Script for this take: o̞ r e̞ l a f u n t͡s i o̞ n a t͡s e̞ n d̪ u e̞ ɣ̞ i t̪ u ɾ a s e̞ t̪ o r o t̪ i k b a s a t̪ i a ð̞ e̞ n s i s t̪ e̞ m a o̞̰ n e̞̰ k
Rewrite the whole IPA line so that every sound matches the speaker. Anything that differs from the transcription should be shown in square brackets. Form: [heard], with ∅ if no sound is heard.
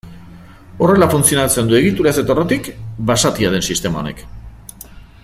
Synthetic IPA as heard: o̞ r e̞ l a f u n t͡s i o̞ n a t͡s e̞ n d̪ u e̞ ɣ̞ i t̪ u ɾ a s e̞ t̪ o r o t̪ i k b a s a t̪ i a ð̞ e̞ n s i s t̪ e̞ m a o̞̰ n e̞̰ k